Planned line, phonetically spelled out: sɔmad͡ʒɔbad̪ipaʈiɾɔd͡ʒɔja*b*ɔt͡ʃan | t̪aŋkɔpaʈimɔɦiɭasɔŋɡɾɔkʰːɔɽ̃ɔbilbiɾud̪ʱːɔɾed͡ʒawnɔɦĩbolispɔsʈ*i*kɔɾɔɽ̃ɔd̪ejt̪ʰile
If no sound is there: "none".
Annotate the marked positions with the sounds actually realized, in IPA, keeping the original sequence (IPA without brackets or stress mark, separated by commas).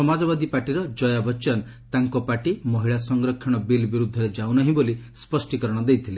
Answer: b, i